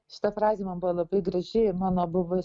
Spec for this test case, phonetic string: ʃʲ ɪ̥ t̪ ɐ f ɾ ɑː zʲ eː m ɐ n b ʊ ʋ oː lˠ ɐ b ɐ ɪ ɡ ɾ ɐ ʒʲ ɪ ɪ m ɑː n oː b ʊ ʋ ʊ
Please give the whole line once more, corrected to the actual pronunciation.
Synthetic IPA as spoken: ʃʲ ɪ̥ t̪ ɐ f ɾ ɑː zʲ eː m ɐ n b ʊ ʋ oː lˠ ɐ b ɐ ɪ ɡ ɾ ɐ ʒʲ ɪ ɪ m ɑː n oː b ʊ ʋ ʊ